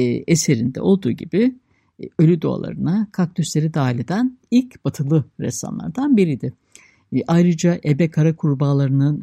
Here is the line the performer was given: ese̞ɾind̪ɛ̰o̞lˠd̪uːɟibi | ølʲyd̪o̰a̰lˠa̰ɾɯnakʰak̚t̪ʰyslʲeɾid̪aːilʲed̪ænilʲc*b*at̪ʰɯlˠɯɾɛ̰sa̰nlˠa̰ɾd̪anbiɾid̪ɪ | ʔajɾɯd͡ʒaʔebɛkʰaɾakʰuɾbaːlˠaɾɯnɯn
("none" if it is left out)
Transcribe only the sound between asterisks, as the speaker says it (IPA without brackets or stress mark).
b